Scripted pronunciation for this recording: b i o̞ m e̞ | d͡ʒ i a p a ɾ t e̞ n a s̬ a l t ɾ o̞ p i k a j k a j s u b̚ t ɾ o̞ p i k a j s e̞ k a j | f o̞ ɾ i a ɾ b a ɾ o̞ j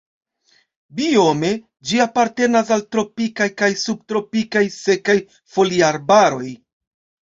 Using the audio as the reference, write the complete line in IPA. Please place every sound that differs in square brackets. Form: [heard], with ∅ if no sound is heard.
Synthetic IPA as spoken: b i o̞ m e̞ | d͡ʒ i a p a ɾ t e̞ n a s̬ a l t ɾ o̞ p i k a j k a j s u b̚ t ɾ o̞ p i k a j s e̞ k a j | f o̞ [l] i a ɾ b a ɾ o̞ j